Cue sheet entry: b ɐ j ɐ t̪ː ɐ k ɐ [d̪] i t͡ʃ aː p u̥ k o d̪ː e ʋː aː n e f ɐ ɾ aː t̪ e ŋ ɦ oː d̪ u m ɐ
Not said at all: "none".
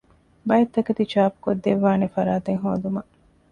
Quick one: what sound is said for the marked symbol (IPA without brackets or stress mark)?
t̪